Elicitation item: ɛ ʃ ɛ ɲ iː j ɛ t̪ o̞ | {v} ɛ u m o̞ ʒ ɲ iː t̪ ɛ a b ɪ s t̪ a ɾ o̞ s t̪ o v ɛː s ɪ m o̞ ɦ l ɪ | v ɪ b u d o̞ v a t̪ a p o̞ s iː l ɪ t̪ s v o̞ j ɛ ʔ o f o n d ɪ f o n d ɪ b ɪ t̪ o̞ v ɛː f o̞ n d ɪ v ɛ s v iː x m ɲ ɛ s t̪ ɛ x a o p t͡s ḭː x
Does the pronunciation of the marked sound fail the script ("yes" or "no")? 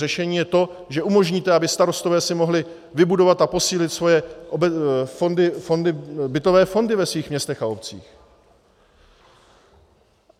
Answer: yes